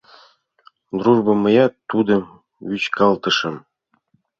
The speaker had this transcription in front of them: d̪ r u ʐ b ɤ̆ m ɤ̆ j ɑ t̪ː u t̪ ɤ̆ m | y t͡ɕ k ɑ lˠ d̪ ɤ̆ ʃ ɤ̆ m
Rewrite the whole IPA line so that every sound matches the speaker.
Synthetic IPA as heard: d̪ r u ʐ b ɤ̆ m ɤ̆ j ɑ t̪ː u d̪ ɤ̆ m | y t͡ɕ k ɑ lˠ t̪ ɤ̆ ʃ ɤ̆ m